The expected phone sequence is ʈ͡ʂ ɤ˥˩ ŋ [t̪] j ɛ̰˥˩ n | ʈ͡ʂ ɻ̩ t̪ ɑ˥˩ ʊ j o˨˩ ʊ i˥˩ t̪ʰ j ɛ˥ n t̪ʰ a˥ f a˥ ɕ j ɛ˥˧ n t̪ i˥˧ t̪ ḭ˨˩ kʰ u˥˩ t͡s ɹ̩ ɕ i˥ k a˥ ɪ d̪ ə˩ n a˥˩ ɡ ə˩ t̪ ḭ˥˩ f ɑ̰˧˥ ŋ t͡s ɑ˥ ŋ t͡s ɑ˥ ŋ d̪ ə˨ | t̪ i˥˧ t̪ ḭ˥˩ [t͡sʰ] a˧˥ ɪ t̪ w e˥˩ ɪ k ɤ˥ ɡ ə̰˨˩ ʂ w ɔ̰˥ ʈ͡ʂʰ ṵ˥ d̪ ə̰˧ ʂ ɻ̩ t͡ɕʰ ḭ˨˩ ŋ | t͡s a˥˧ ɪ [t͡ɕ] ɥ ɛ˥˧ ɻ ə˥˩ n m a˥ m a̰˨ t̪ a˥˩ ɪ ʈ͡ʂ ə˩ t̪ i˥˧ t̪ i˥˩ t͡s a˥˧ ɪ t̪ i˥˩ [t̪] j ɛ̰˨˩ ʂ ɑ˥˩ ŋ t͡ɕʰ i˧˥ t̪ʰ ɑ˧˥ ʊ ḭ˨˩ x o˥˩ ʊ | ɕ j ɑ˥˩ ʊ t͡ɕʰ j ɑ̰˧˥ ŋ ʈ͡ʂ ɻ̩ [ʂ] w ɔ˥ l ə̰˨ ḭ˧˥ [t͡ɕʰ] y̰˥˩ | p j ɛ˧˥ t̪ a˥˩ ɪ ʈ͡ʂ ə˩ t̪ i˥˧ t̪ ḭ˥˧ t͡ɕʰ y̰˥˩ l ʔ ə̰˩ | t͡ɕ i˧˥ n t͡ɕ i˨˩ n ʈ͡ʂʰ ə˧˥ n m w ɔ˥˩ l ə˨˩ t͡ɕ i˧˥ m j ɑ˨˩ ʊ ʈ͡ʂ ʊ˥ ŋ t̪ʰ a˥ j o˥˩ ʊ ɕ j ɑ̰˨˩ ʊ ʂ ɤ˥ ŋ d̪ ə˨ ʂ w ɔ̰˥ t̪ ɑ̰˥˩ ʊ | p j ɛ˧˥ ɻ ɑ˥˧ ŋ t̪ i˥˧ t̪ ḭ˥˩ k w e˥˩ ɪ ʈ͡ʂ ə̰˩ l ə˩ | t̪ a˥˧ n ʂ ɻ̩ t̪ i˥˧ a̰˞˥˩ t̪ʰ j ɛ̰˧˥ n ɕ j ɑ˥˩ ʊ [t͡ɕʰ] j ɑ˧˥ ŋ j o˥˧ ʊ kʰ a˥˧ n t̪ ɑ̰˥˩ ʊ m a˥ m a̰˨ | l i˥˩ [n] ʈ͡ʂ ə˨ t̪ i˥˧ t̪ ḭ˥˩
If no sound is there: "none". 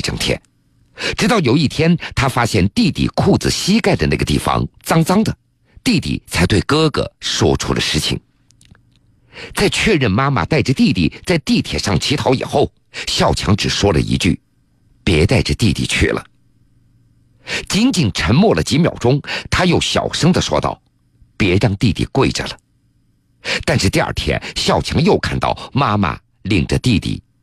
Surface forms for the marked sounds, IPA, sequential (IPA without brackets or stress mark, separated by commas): t̪ʰ, t͡sʰ, t͡ɕʰ, t̪ʰ, ʂ, t͡ɕ, t͡ɕʰ, ŋ